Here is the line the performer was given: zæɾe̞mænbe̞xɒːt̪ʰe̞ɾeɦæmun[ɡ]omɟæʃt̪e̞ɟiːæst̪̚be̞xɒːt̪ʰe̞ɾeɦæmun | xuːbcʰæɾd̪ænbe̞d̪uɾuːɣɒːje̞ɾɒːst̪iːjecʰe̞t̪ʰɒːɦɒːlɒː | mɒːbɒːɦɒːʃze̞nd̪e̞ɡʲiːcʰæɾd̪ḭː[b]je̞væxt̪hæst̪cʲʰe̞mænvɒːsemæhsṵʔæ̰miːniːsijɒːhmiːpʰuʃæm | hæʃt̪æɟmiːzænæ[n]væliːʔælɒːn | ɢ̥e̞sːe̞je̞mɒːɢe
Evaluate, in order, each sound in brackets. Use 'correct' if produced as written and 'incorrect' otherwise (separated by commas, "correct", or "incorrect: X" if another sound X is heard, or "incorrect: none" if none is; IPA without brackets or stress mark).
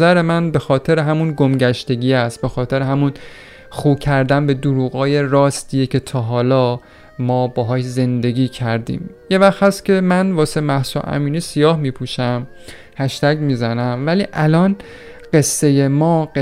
correct, incorrect: m, incorrect: m